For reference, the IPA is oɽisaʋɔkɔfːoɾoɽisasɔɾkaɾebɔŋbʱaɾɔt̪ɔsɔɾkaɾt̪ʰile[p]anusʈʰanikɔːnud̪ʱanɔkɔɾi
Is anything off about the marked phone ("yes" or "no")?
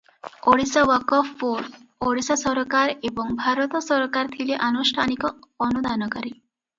yes